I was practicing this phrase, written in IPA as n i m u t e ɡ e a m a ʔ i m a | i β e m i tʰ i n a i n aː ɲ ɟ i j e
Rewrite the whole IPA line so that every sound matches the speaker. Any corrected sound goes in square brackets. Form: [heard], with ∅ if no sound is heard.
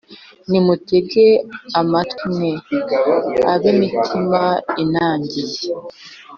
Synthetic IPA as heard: n i m u t e ɡ e a m a [t] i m [e] | [a] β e m i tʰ i [m] a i n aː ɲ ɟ i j e

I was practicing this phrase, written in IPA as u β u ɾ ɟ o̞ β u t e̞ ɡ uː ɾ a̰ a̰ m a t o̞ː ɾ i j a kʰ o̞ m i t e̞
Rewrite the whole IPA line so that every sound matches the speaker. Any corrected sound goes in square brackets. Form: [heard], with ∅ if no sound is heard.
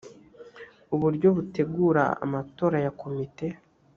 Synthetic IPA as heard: u β u ɾ ɟ o̞ β u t e̞ ɡ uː ɾ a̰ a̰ m a t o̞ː ɾ [a] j a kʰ o̞ m i t e̞

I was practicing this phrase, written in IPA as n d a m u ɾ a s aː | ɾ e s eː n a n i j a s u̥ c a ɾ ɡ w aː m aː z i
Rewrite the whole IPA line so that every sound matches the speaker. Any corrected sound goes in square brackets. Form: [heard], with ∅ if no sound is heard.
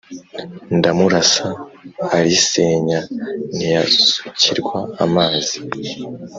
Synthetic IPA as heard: n d a m u ɾ a s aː | ɾ [i] s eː [ɲ] a n i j a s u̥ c [i] ɾ ɡ w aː m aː z i

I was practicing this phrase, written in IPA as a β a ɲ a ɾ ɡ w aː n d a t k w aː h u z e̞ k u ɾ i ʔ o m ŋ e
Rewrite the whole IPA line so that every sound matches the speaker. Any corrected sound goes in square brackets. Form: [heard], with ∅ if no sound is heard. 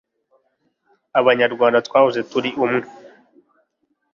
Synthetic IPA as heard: a β a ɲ a ɾ ɡ w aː n d a t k w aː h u z e̞ [t] u ɾ i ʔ [u] m ŋ e

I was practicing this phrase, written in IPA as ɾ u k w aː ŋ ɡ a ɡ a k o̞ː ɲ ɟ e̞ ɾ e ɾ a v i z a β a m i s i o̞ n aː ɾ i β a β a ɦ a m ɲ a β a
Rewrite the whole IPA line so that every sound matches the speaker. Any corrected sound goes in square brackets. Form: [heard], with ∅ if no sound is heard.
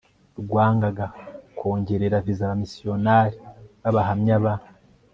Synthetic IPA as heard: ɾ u [ɡ] w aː ŋ ɡ a ɡ a k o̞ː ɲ ɟ e̞ ɾ e ɾ a v i z a β a m i s i o̞ n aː ɾ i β a β a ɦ a m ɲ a β a

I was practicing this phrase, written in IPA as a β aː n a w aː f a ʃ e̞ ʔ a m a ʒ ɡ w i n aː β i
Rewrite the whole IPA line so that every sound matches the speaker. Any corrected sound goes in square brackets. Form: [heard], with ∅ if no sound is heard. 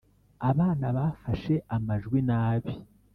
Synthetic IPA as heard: a β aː n a [β] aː f a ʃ e̞ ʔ a m a ʒ ɡ w i n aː β i

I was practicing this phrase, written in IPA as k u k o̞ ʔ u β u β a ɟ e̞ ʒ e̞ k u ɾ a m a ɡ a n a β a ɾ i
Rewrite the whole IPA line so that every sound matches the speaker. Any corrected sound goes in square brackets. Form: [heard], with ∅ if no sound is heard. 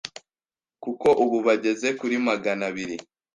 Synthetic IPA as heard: k u k o̞ ʔ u β u β a ɟ e̞ [z] e̞ k u ɾ [i] m a ɡ a n a β [i] ɾ i

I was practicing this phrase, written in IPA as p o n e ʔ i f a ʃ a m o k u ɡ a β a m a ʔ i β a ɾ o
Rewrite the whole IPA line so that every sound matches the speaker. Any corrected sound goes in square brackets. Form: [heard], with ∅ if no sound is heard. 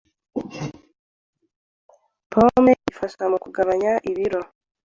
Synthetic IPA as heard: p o [m] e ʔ i f a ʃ a m [u] k u ɡ a β a [ɲ] a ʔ i β [i] ɾ o

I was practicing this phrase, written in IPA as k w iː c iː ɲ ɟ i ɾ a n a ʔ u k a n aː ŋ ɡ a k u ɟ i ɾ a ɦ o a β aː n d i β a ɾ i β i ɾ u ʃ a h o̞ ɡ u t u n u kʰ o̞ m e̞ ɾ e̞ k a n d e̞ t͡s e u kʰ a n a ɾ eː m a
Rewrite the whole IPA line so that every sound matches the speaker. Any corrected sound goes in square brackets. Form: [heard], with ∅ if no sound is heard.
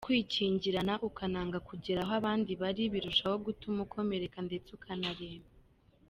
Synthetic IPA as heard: k w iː c iː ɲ ɟ i ɾ a n a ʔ u k a n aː ŋ ɡ a k u ɟ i ɾ a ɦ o a β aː n d i β a ɾ i β i ɾ u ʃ a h o̞ ɡ u t u [m] u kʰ o̞ m e̞ ɾ e̞ k a n d e̞ t͡s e u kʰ a n a ɾ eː m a

